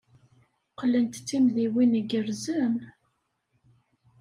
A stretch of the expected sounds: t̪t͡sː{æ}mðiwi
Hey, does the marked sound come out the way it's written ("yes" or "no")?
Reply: no